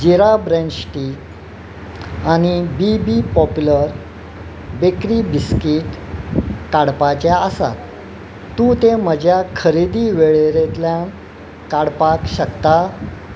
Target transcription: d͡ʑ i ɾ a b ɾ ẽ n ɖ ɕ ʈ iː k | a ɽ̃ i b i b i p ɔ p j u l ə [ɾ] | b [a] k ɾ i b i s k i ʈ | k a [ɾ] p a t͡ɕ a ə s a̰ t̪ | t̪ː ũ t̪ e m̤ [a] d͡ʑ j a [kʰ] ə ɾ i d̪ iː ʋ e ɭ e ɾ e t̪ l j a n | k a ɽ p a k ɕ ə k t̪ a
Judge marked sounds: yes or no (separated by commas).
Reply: yes, no, no, no, yes